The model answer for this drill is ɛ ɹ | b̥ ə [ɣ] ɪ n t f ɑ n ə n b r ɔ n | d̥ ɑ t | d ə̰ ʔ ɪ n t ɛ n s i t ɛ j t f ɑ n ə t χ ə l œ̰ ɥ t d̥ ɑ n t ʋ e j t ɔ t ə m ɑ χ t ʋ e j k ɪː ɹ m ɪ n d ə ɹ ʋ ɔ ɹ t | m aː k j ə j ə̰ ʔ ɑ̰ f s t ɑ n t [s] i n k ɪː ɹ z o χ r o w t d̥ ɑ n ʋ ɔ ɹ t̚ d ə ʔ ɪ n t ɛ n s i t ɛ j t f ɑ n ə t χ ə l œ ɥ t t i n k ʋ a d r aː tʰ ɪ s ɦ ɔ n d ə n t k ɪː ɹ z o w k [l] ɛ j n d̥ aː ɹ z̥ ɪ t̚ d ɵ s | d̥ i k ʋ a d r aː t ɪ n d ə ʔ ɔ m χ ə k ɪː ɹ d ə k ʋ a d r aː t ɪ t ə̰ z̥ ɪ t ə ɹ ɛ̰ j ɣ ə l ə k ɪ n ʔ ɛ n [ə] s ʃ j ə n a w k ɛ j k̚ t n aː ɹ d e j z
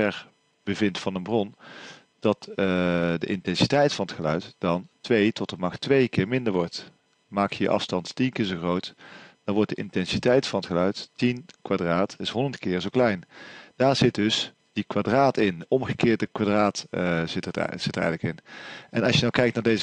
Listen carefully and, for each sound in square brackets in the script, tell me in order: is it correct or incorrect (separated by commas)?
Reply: incorrect, incorrect, correct, incorrect